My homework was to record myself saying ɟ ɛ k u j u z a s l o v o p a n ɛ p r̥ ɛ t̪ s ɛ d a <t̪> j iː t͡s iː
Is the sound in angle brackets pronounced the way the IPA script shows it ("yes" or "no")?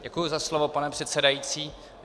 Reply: no